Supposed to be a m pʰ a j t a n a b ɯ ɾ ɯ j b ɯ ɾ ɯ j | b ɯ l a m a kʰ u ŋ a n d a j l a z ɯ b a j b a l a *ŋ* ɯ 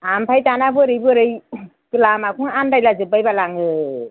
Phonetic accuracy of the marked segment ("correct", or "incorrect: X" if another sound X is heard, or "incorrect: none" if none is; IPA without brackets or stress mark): correct